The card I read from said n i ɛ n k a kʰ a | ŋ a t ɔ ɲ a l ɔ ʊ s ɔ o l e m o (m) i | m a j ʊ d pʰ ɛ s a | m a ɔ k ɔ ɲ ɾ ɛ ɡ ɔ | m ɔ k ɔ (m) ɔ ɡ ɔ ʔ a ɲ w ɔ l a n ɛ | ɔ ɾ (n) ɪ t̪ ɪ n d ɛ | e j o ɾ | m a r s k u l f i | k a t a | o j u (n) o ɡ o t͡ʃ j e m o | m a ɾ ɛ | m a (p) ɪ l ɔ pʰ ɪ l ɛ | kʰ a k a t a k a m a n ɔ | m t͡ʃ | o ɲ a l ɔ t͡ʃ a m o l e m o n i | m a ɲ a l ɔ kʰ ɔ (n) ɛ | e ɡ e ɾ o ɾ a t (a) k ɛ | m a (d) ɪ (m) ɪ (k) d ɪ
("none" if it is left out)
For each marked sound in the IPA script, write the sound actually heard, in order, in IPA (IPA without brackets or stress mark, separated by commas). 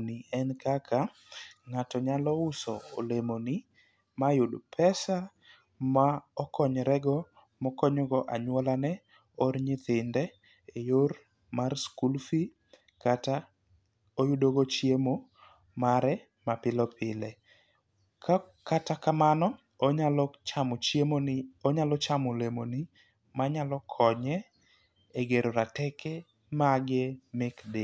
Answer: n, ɲ, ɲ, d, p, ɲ, ɛ, ɡ, m, k